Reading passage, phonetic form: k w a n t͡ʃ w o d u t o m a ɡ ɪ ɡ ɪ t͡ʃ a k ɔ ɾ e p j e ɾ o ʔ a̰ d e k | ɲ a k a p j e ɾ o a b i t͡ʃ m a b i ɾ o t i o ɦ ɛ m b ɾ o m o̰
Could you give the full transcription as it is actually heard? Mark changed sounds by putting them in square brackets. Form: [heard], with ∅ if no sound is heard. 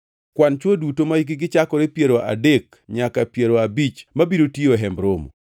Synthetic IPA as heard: k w a n t͡ʃ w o d u t o m a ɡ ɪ ɡ ɪ t͡ʃ a k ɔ ɾ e p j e ɾ o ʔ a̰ d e k | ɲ a k a p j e ɾ o a b i t͡ʃ m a b i ɾ o t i o ɦ ɛ m b ɾ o m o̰